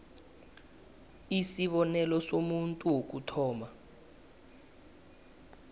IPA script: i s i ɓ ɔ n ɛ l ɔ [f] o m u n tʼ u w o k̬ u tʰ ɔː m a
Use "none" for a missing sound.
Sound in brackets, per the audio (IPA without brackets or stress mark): s